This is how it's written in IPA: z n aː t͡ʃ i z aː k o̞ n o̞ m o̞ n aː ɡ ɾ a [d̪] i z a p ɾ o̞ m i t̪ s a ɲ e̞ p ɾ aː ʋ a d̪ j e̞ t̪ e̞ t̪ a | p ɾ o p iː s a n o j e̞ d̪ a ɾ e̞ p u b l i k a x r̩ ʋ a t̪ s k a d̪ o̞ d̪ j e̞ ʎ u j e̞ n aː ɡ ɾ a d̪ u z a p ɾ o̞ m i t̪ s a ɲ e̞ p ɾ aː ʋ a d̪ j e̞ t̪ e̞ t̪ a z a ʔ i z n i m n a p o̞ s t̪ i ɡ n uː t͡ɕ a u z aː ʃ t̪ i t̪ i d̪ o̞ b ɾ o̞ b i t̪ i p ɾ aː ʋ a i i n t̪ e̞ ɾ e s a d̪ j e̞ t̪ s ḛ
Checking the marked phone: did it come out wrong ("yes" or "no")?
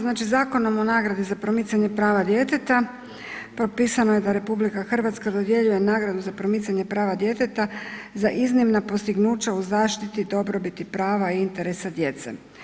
no